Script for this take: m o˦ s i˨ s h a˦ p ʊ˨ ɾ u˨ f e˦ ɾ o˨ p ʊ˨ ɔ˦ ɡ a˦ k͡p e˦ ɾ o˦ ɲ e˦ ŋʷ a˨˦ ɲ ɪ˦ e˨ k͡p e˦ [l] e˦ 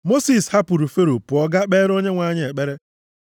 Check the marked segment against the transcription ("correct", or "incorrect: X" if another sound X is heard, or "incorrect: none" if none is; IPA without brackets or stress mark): incorrect: ɾ